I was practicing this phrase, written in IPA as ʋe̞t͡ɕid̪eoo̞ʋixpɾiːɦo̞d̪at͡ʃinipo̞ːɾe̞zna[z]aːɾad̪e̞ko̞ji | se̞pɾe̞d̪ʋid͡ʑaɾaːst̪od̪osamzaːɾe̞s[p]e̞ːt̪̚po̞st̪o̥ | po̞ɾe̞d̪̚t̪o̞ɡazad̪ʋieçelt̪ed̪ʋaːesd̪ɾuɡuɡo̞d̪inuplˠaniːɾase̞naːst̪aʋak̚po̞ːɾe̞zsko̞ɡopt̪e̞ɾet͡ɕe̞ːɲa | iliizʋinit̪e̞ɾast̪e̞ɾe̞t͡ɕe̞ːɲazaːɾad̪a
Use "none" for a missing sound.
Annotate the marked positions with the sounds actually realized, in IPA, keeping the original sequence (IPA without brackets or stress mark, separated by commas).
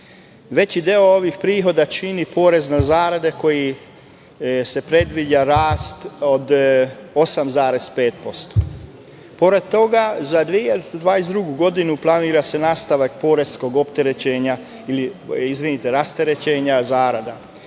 z, p